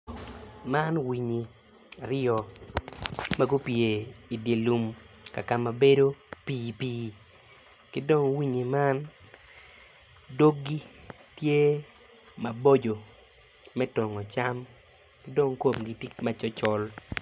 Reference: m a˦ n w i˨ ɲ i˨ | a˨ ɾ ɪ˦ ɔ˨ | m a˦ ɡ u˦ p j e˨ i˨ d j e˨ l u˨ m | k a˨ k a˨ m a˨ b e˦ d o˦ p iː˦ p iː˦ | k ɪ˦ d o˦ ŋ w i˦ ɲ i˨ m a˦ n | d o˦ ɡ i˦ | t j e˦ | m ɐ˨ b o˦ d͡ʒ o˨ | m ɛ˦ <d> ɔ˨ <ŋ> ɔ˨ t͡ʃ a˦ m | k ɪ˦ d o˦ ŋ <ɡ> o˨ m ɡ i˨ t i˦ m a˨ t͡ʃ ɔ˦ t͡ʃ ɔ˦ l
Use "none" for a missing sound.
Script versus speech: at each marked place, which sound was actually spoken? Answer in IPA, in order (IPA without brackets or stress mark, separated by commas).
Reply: t, ŋ, k